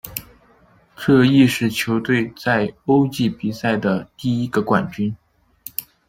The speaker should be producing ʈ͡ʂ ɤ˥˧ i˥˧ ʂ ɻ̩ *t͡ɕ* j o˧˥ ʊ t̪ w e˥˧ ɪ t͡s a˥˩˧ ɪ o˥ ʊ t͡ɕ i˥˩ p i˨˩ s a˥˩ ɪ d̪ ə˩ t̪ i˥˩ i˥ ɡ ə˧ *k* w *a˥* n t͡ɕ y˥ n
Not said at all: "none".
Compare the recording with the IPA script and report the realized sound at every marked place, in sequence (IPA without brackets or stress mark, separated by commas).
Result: t͡ɕʰ, k, a˨˩